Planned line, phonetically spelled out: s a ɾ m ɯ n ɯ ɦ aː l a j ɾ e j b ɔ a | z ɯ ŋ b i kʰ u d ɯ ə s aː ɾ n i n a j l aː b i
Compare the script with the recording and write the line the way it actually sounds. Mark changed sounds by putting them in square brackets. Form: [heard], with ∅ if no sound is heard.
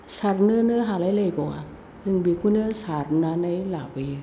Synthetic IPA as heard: s a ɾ [n] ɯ n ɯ ɦ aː l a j [l] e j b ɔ a | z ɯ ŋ b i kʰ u [n] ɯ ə s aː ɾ n [a] n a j l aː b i